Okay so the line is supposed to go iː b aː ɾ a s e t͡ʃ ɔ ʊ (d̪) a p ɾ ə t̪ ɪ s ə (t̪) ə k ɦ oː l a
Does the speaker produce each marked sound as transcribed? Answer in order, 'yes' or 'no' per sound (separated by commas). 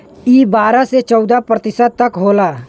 yes, yes